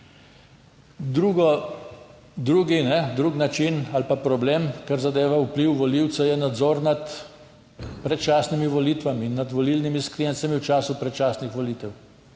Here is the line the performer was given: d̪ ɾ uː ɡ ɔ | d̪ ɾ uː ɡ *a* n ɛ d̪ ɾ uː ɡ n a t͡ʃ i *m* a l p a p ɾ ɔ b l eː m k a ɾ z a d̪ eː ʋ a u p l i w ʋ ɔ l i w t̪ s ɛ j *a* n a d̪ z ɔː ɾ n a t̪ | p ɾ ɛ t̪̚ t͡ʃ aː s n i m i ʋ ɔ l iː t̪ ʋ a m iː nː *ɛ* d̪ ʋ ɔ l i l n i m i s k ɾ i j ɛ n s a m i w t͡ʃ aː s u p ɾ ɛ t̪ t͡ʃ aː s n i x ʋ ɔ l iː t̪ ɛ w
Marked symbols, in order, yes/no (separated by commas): no, no, no, no